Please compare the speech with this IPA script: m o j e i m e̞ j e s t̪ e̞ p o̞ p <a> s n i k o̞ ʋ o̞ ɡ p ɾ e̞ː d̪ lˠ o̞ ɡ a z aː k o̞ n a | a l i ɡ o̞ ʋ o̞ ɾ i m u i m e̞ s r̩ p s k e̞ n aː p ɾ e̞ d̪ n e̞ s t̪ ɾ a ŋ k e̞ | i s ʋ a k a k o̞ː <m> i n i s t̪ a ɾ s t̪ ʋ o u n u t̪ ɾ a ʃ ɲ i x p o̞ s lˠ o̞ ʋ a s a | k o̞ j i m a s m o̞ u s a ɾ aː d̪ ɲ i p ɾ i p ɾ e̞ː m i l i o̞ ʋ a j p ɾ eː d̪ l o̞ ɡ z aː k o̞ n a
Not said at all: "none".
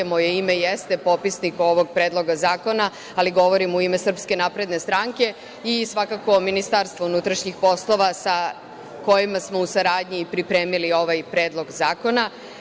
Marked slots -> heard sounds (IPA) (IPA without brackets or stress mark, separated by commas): i, m